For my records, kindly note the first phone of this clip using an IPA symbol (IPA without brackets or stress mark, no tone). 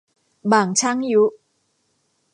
b